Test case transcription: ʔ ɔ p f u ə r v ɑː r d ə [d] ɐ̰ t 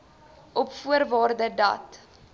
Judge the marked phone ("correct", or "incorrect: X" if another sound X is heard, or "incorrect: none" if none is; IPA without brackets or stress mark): correct